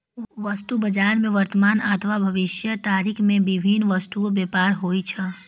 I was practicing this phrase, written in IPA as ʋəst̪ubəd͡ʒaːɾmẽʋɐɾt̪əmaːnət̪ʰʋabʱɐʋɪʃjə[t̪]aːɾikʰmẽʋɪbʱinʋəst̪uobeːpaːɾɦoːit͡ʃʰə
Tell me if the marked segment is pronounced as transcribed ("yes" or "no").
yes